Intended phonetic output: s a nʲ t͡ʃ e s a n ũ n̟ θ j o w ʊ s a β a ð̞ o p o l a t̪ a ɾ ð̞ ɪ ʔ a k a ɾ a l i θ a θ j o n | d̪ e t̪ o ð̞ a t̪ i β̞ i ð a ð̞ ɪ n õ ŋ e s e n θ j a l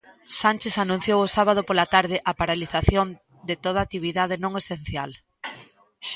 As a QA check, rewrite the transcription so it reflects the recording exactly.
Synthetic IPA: s a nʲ t͡ʃ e s a n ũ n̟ θ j o w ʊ s a β a ð̞ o p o l a t̪ a ɾ ð̞ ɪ ʔ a p a ɾ a l i θ a θ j o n | d̪ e t̪ o ð̞ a t̪ i β̞ i ð a ð̞ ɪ n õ ŋ e s e n θ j a l